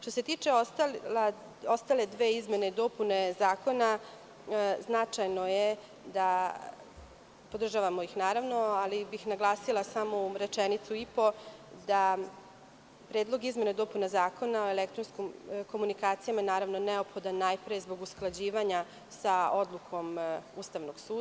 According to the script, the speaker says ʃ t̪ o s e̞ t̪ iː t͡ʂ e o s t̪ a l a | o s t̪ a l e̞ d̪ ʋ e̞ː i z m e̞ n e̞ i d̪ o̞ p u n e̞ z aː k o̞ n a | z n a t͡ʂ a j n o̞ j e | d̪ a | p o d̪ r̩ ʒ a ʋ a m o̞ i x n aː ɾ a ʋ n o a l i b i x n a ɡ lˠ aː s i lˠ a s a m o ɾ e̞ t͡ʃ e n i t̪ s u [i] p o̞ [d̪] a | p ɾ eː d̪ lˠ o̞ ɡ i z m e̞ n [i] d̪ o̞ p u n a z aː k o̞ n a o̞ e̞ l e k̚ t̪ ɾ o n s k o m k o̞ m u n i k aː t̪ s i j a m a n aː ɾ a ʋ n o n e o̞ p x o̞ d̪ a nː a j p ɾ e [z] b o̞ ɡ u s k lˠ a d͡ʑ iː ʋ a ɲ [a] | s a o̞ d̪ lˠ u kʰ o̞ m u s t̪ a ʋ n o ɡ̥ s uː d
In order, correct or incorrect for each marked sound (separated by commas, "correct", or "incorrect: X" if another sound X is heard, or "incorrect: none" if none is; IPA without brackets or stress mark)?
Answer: correct, correct, incorrect: e, correct, correct